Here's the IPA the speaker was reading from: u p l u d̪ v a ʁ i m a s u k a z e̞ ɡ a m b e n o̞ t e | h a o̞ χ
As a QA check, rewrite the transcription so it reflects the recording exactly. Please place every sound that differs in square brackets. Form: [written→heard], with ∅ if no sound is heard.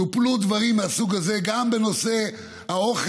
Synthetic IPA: u p l u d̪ v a ʁ i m a s u [k→ɡ] a z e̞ ɡ a m b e n o̞ [t→s] e | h a o̞ χ